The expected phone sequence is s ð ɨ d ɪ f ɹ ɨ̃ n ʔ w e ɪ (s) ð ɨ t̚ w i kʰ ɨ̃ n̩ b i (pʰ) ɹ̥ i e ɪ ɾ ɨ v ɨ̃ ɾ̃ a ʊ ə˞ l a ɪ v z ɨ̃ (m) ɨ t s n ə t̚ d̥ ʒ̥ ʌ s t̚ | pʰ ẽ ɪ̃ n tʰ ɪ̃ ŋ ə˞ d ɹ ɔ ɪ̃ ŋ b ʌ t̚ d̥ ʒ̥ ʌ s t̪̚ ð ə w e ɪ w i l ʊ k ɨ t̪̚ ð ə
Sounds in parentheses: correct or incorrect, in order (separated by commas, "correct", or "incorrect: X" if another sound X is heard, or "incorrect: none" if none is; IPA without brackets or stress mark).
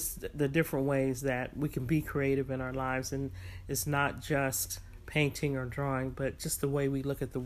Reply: incorrect: z, incorrect: kʰ, incorrect: n